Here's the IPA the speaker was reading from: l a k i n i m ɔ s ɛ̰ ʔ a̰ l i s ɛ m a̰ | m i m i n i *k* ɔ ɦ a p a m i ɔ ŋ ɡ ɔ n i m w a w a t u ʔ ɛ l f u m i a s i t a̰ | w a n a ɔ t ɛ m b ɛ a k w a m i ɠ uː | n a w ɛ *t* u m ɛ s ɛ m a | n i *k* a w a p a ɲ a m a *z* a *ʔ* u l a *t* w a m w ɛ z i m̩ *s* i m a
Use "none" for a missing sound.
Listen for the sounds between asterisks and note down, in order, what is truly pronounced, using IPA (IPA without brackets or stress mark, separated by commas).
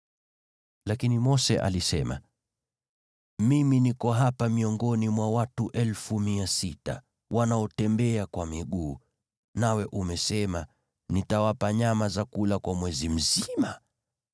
k, ʔ, t, z, k, k, z